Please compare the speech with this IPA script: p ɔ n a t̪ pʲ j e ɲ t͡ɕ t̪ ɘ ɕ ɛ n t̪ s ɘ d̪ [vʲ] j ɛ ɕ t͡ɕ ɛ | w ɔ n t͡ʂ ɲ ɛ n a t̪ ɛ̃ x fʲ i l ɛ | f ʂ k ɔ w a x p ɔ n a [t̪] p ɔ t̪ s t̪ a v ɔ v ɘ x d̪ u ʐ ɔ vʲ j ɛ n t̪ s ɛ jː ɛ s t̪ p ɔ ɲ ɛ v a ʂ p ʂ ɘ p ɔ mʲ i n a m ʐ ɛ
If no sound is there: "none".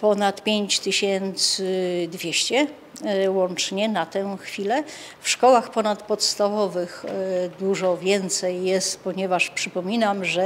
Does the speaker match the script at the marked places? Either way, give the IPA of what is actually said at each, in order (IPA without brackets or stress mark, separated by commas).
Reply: vʲ, t̪